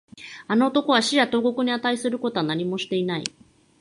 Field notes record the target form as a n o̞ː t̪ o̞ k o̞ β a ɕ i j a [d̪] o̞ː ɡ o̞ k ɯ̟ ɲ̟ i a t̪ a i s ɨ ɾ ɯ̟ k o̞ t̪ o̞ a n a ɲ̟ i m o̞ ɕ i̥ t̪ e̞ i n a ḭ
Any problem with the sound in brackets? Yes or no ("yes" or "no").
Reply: yes